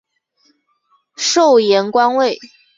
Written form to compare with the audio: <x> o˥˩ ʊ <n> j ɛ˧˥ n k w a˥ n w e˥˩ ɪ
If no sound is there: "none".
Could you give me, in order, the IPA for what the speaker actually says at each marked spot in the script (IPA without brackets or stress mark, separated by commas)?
ʂ, none